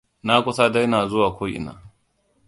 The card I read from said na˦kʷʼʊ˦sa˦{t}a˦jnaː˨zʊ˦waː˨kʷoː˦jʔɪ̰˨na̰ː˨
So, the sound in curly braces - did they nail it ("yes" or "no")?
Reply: no